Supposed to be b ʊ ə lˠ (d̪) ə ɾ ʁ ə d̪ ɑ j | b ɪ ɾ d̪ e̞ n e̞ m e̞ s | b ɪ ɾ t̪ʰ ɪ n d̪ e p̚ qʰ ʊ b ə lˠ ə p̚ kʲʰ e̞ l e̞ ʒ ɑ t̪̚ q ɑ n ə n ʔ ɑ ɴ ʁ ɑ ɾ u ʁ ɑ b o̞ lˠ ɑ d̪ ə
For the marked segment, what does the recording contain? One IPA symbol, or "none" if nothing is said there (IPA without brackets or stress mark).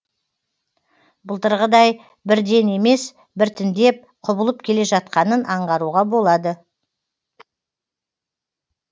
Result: t̪